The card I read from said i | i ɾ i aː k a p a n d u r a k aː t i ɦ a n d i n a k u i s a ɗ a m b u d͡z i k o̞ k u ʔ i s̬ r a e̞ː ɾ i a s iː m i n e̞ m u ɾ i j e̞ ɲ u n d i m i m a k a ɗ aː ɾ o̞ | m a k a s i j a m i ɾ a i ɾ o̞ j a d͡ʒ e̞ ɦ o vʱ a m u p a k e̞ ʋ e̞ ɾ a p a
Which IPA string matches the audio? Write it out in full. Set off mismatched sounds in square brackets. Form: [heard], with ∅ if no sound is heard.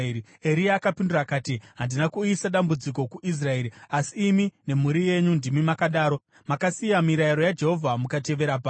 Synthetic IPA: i | [e] ɾ i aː k a p [i] n d u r a k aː t i ɦ a n d i n a k u i s a ɗ a m b u d͡z i k o̞ k u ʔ i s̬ r a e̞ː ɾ i a s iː m i n e̞ m u ɾ i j e̞ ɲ u n d i m i m a k a ɗ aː ɾ o̞ | m a k a s i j a m i ɾ a i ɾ o̞ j a d͡ʒ e̞ ɦ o vʱ a m u [k] a [t] e̞ ʋ e̞ ɾ a p a